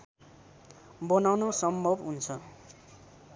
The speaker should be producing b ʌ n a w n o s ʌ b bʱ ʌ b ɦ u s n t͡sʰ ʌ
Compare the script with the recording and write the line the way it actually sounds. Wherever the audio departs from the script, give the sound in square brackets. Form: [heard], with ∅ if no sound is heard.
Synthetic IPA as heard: b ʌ n a w n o s ʌ [m] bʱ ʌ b ɦ u [∅] n t͡sʰ ʌ